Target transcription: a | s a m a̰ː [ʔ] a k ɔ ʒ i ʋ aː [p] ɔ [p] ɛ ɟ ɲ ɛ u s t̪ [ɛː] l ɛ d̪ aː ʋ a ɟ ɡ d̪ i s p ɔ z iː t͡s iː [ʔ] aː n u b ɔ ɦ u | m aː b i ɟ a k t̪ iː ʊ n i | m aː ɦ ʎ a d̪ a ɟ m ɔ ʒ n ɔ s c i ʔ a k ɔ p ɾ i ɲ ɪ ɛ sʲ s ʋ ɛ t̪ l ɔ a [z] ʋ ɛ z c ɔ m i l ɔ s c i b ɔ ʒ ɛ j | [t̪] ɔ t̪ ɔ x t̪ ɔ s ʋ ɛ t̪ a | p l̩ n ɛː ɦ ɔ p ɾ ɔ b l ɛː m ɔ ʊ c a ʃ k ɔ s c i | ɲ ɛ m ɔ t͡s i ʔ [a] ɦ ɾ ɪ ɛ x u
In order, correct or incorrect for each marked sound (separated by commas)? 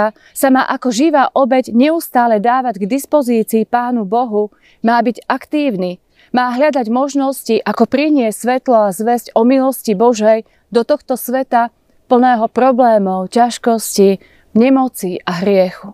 correct, incorrect, incorrect, incorrect, incorrect, correct, incorrect, correct